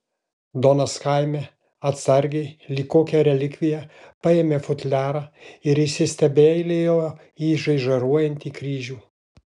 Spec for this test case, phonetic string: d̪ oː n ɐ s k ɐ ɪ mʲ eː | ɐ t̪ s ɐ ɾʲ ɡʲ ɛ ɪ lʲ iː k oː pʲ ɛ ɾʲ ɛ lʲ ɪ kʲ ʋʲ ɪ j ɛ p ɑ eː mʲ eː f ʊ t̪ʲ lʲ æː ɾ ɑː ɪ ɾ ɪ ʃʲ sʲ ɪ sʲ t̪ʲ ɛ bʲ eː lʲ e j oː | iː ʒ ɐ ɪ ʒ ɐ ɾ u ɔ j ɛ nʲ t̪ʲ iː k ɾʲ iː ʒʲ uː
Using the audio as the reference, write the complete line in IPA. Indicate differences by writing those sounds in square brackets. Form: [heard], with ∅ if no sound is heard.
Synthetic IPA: d̪ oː n ɐ s k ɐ ɪ mʲ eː | ɐ t̪ s ɐ ɾʲ ɡʲ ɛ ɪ lʲ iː k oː [kʲ] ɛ ɾʲ ɛ lʲ ɪ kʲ ʋʲ ɪ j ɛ p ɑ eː mʲ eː f ʊ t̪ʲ lʲ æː ɾ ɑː ɪ ɾ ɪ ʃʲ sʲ ɪ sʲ t̪ʲ ɛ bʲ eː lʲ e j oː | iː ʒ ɐ ɪ ʒ ɐ ɾ u ɔ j ɛ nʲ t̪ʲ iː k ɾʲ iː ʒʲ uː